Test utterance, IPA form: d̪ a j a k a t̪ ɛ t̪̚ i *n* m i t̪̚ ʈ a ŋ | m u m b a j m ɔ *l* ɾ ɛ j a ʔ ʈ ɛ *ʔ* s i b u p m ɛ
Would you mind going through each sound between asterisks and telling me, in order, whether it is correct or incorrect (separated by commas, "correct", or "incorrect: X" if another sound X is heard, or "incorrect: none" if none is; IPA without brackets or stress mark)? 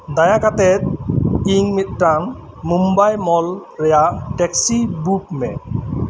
incorrect: ŋ, correct, incorrect: k